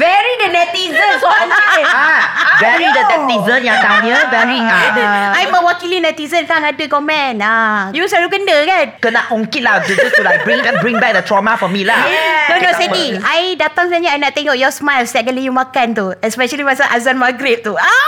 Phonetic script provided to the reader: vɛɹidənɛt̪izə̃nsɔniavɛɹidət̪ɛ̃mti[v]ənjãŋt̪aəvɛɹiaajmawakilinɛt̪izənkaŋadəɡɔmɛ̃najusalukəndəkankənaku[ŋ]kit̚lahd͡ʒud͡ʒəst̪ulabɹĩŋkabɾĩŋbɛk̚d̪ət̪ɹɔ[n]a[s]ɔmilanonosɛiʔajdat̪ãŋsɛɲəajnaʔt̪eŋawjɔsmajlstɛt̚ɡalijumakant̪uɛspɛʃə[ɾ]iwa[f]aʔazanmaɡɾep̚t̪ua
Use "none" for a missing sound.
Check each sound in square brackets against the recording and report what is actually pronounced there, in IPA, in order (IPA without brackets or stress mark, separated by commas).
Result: z, ŋ, m, f, l, s